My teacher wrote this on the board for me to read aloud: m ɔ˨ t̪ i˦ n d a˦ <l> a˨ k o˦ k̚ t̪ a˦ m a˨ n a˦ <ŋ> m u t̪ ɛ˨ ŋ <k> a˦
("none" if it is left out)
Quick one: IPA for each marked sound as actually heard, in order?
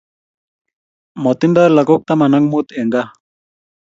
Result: l, ŋ, ɡ

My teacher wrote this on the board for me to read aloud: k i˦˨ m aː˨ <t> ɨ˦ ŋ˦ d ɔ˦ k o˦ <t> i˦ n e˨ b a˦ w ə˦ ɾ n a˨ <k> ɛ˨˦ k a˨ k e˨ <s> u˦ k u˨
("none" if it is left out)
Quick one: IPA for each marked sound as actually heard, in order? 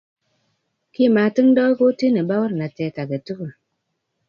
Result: t, t, t, t

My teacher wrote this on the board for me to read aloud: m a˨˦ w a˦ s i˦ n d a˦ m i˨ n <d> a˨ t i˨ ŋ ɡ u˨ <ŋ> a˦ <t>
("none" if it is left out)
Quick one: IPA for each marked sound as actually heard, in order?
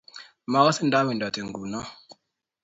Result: d, n, none

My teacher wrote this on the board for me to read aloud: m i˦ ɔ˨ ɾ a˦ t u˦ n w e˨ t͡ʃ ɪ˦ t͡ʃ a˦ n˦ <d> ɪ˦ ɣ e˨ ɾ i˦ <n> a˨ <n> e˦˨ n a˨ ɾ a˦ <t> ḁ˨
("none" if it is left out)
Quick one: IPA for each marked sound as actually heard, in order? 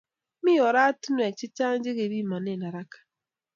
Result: d͡ʒ, m, n, k

